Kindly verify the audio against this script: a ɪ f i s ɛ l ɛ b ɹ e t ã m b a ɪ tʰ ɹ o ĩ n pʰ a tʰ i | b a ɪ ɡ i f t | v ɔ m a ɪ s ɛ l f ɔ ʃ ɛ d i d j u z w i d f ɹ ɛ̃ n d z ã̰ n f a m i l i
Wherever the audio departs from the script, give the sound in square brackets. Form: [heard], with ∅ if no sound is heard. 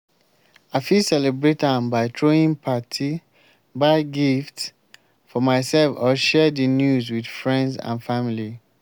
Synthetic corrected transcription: a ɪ f i s ɛ l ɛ b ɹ e t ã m b a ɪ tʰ ɹ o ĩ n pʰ a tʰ i | b a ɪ ɡ i f t | [f] ɔ m a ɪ s ɛ l f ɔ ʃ ɛ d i [n] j u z w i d f ɹ ɛ̃ n d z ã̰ n f a m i l i